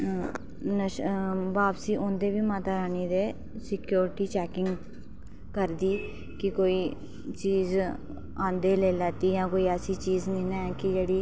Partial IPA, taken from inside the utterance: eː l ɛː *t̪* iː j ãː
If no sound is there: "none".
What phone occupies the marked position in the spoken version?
t̪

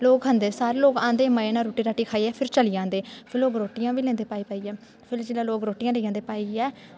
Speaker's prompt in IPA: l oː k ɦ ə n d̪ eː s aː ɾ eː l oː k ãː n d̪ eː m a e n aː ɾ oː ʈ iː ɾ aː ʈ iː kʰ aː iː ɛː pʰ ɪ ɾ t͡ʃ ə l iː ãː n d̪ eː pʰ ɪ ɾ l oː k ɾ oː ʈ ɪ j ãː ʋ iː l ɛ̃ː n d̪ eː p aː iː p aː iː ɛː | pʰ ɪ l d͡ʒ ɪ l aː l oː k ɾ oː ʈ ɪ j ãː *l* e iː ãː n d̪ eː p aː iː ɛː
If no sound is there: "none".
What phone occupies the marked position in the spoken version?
l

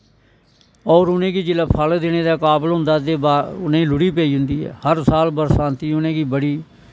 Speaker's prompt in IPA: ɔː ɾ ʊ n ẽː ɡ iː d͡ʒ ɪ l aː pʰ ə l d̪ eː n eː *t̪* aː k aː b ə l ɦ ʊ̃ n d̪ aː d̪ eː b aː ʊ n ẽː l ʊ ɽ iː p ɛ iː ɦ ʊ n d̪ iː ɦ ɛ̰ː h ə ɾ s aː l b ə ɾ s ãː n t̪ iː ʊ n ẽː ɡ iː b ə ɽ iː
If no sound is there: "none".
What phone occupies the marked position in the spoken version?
d̪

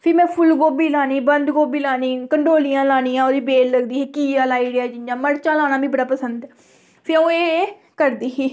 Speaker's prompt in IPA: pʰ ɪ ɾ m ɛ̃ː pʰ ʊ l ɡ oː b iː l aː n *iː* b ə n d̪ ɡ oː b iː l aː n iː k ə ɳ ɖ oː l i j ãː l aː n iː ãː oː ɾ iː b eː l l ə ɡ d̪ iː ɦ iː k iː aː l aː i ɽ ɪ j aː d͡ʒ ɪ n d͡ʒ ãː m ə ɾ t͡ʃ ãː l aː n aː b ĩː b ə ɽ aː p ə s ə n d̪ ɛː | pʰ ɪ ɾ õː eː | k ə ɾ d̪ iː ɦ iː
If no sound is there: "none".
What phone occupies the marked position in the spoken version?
iː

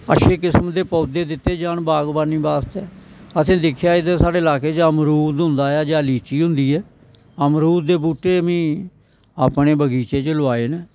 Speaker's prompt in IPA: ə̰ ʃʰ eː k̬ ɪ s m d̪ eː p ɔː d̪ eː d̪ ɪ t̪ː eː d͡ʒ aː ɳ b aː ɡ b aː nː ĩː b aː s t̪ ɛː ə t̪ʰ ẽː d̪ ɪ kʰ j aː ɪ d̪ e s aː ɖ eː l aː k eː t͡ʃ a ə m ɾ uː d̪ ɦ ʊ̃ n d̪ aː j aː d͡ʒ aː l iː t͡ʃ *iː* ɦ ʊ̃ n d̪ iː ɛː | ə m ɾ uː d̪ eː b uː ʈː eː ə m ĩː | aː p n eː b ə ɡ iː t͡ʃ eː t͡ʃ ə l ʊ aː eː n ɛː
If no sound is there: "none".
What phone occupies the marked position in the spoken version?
iː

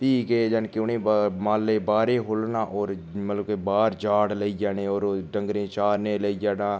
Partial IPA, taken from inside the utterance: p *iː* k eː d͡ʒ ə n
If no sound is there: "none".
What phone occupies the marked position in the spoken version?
iː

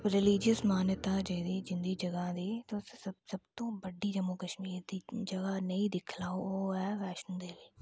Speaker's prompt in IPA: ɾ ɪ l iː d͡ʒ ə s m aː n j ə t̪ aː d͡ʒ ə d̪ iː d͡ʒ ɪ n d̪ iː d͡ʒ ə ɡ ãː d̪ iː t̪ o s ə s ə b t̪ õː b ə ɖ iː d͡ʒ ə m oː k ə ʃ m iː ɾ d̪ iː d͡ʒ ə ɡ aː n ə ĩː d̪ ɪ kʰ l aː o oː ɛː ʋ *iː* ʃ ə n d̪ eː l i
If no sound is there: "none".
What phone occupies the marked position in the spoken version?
ɛː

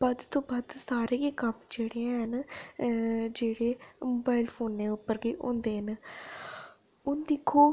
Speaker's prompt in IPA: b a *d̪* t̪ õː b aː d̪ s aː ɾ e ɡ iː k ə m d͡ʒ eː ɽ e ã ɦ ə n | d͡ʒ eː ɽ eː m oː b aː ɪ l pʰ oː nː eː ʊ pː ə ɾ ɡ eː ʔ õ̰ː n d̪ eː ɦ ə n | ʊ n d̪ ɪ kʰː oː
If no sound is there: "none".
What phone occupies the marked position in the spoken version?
d̪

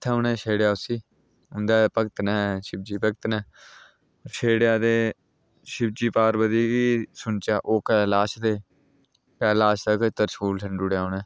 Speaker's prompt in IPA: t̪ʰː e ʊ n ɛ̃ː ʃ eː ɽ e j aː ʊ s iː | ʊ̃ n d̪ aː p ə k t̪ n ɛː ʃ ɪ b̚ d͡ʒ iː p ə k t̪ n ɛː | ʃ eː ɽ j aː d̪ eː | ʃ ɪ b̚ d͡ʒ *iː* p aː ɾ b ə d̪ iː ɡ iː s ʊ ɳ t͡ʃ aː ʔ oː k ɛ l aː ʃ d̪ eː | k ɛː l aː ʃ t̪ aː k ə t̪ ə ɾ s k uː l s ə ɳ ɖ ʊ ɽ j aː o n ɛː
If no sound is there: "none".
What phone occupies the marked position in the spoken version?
iː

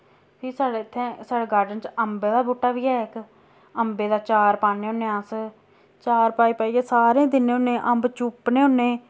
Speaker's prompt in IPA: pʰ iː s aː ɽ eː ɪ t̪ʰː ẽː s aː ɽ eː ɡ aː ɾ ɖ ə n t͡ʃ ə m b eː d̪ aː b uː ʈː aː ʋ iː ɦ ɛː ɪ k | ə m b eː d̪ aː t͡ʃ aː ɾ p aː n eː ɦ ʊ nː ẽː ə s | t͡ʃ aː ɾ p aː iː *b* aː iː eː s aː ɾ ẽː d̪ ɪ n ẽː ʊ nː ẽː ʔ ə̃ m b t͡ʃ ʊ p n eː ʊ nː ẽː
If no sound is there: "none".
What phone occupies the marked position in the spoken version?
p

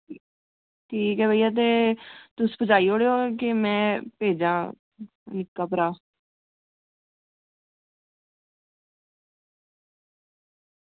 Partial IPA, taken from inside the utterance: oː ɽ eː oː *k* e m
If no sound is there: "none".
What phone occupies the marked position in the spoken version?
k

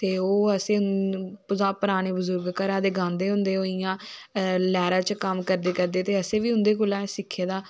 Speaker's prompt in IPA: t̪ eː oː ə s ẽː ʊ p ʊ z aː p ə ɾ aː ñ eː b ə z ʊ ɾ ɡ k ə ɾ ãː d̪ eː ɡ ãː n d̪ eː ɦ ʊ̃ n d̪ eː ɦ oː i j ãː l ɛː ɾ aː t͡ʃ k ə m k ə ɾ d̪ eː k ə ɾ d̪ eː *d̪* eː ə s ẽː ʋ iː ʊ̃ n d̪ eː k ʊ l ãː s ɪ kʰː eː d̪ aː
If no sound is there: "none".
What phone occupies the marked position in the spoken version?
t̪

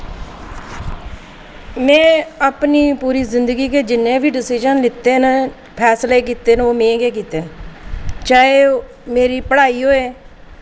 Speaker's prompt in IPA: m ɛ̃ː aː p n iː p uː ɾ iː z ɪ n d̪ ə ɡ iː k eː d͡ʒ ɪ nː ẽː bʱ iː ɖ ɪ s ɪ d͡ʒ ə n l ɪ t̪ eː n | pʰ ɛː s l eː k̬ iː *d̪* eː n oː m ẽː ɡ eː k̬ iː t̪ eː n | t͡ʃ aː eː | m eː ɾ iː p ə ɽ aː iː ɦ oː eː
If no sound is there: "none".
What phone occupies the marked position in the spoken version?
t̪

